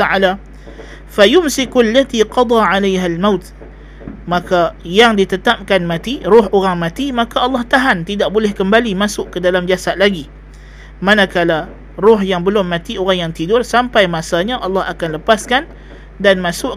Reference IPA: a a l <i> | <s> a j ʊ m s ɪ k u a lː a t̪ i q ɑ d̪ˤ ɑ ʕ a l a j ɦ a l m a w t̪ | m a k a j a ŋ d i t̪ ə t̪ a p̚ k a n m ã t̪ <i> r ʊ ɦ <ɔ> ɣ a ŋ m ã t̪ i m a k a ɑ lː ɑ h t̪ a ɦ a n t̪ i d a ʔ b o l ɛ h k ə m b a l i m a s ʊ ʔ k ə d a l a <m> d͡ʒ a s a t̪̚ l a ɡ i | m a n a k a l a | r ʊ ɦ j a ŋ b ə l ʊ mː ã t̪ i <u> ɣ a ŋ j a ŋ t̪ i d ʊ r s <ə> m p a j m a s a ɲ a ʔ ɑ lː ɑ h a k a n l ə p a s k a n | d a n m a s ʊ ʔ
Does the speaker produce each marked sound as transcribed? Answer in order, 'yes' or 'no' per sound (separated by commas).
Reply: no, no, yes, no, yes, no, no